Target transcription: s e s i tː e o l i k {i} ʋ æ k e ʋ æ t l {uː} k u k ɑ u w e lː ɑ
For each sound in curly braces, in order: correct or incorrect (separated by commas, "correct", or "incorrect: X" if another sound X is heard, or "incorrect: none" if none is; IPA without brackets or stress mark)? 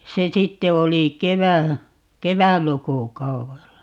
incorrect: e, incorrect: u